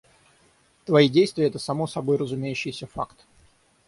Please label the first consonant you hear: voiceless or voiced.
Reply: voiceless